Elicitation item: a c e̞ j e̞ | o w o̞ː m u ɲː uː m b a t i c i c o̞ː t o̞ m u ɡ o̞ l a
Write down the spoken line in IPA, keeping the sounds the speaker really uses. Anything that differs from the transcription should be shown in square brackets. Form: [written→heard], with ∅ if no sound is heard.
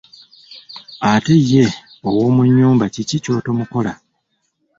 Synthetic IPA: a [c→t] e̞ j e̞ | o w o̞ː m u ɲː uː m b a [t→c] i c i c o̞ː t o̞ m u [ɡ→k] o̞ l a